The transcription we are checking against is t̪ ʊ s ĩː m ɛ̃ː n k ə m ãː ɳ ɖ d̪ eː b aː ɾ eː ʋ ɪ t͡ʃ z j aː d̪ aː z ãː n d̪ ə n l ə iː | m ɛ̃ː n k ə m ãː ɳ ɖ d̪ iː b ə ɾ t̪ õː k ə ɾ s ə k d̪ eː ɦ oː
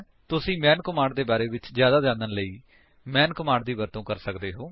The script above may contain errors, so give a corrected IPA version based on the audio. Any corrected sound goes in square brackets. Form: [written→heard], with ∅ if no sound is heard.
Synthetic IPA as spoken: t̪ ʊ s ĩː m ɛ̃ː n k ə m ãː ɳ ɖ d̪ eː b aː ɾ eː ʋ ɪ t͡ʃ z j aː d̪ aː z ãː n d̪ ə n l ə iː | m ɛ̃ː n k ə m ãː ɳ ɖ d̪ iː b ə ɾ t̪ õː k ə ɾ s ə k d̪ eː ɦ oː

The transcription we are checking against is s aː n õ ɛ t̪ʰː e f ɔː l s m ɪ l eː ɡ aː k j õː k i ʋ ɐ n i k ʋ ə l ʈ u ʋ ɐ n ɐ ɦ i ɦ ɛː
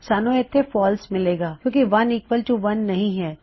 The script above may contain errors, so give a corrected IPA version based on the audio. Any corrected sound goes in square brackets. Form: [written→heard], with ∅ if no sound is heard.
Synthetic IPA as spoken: s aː n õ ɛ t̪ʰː e f ɔː l s m ɪ l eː ɡ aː k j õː k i ʋ ɐ n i k ʋ ə l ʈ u ʋ ɐ [n→nː] ɐ ɦ [i→ĩ] ɦ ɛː

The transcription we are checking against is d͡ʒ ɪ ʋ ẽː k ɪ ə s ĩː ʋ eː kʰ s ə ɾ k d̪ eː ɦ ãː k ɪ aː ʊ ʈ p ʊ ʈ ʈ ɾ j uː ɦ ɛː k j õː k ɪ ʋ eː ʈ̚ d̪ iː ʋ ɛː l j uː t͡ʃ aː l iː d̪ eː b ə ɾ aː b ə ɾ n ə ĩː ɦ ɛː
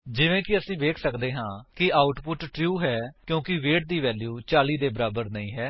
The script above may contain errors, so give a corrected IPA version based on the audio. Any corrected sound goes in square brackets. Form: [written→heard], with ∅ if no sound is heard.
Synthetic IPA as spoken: d͡ʒ ɪ ʋ ẽː k ɪ ə s ĩː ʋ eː kʰ s ə [ɾ→∅] k d̪ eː ɦ ãː k ɪ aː ʊ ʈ p ʊ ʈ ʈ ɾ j uː ɦ ɛː k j õː k ɪ ʋ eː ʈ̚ d̪ iː ʋ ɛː l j uː t͡ʃ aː l iː d̪ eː b ə ɾ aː b ə ɾ n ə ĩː ɦ ɛː

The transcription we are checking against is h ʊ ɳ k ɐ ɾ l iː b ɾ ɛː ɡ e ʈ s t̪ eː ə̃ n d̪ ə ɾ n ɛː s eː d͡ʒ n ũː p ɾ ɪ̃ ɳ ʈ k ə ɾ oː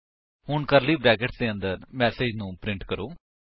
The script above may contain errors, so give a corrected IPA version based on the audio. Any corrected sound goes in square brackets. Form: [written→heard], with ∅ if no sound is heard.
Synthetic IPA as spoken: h ʊ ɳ k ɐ ɾ l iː b ɾ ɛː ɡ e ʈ s [t̪→d̪] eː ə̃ n d̪ ə ɾ [n→m] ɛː s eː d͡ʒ n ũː p ɾ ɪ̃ ɳ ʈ k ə ɾ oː

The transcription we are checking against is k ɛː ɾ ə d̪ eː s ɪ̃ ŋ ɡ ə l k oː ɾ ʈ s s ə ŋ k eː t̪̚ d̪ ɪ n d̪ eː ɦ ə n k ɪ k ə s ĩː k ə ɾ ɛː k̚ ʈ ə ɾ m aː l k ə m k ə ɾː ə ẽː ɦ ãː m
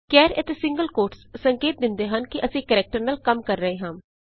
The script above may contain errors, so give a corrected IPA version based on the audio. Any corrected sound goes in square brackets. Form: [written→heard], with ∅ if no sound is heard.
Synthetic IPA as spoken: k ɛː ɾ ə [d̪→t̪] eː s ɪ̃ ŋ ɡ ə l k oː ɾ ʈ s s ə ŋ k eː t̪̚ d̪ ɪ n d̪ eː ɦ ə n k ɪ [k→ʔ] ə s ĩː k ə ɾ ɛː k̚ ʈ ə ɾ [m→n] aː l k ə m k ə ɾː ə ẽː ɦ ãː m

